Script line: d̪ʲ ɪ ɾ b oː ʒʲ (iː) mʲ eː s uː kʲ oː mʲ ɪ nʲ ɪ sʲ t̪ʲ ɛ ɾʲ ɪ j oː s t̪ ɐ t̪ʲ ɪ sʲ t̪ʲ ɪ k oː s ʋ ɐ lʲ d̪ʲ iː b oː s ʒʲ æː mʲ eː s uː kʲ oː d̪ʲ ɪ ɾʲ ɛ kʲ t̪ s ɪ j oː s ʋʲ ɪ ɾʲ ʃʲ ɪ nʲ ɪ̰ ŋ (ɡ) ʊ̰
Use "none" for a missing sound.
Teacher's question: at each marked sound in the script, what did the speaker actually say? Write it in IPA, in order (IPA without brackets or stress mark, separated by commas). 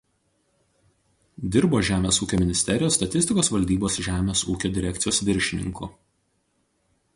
æː, k